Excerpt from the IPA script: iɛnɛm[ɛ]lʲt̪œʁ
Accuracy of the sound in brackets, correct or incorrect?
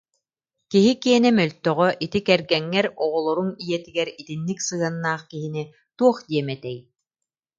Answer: incorrect